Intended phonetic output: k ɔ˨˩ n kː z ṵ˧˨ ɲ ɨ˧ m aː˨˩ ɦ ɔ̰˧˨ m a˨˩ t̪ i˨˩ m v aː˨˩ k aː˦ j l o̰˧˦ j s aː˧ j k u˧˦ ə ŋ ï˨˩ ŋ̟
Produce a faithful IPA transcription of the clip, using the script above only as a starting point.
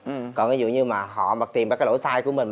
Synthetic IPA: k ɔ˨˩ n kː z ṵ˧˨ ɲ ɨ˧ m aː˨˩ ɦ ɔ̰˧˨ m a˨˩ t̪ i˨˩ m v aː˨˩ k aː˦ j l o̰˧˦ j s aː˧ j k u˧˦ ə m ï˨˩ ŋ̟